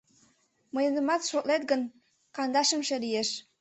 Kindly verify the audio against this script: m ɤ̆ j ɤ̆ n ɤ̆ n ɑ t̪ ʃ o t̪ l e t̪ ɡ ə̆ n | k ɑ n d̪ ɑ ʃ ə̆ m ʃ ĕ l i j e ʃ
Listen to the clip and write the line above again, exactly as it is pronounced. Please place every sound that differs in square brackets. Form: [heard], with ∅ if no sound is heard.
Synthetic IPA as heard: m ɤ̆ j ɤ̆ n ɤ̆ [m] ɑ t̪ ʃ o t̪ l e t̪ ɡ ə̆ n | k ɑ n d̪ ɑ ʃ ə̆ m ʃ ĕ l i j e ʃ